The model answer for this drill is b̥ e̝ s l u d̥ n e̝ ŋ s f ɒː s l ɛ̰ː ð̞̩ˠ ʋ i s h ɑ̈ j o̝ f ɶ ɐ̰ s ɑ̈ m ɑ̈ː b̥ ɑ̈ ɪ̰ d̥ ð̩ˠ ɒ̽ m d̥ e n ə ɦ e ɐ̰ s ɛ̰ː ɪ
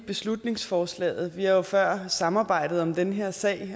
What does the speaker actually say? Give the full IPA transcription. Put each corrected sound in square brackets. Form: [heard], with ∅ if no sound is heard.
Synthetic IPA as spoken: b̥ e̝ s l u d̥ n e̝ ŋ s f ɒː s l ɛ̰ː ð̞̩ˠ ʋ i [∅] h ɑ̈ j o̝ f ɶ ɐ̰ s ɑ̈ m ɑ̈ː b̥ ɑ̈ ɪ̰ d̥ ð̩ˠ ɒ̽ m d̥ e n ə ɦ e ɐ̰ s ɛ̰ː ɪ